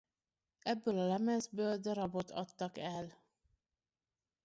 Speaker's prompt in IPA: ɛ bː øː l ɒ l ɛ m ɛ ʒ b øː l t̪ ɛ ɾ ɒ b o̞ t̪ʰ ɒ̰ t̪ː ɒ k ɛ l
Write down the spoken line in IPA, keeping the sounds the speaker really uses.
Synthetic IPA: ɛ bː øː l ɒ l ɛ m ɛ z b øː l d̪ ɛ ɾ ɒ b o̞ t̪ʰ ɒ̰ t̪ː ɒ k ɛ l